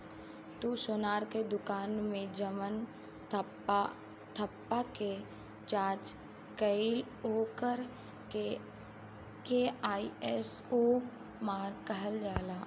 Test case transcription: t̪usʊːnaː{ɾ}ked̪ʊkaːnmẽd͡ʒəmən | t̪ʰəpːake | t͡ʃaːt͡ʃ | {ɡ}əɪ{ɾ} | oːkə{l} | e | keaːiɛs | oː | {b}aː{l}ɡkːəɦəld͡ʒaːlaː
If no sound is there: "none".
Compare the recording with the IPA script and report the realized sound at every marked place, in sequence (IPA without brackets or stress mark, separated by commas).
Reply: ɾ, k, l, ɾ, m, ɾ